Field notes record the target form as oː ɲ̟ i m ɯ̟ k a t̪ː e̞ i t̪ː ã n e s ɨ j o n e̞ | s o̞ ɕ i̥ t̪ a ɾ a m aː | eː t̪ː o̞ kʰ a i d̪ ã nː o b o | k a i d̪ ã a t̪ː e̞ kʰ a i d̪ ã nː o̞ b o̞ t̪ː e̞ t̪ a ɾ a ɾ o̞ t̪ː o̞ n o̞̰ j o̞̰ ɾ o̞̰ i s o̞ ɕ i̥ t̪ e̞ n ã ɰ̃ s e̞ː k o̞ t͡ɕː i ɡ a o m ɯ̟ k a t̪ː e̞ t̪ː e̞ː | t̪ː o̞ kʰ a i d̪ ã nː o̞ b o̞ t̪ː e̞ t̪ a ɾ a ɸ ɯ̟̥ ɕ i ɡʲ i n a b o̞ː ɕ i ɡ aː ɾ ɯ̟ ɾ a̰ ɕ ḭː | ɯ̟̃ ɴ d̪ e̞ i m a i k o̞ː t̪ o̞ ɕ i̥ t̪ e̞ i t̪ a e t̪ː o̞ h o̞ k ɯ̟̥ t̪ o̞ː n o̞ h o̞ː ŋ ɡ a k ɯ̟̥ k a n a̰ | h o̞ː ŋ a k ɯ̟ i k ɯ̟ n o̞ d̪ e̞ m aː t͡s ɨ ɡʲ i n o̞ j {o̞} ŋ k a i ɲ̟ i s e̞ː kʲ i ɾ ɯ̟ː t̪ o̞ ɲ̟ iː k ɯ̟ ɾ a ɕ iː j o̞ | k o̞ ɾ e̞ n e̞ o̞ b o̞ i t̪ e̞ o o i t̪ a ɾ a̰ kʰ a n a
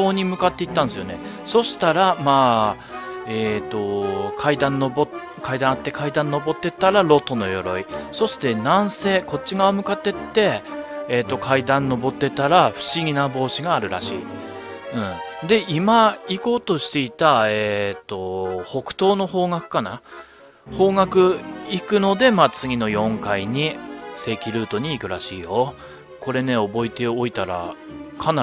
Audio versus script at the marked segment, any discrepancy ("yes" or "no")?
yes